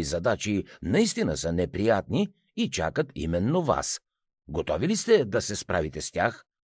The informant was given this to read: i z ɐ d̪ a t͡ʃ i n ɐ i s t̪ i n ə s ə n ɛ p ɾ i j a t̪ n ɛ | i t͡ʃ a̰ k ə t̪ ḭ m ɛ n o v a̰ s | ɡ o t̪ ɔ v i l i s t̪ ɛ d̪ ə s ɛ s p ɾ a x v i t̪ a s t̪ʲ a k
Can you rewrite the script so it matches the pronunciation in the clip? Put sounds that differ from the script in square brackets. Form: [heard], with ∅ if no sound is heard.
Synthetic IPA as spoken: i z ɐ d̪ a t͡ʃ i n ɐ i s t̪ i n ə s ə n ɛ p ɾ i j a t̪ n [i] | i t͡ʃ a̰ k ə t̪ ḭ m ɛ [nː] o v a̰ s | ɡ o t̪ ɔ v i l i s t̪ ɛ d̪ [ɐ] s ɛ s p ɾ a [∅] v i t̪ [ɛ] s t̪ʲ a [x]